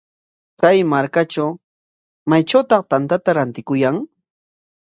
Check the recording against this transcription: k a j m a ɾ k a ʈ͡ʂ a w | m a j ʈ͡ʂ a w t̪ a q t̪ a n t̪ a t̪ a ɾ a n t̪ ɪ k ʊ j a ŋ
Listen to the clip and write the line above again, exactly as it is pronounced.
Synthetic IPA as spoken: k a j m a ɾ k a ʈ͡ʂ a w | m a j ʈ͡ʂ a w t̪ ɑ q t̪ a n t̪ a t̪ a ɾ a n t̪ ɪ k ʊ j a ŋ